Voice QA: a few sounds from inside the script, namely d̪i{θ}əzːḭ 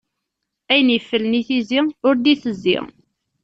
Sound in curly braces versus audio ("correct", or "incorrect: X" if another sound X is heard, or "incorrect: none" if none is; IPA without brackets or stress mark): correct